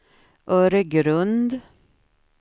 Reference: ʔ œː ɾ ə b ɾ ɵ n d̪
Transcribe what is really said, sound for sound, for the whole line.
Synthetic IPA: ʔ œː ɾ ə ɡ ɾ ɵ n d̪